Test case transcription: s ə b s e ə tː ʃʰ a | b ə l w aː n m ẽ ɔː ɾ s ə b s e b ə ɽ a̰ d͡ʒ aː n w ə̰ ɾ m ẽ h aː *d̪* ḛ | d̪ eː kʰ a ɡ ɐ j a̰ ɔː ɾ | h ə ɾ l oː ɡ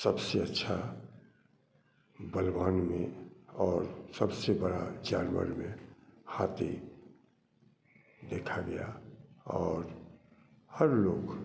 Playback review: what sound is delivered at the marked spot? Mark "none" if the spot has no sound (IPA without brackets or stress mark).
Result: t̪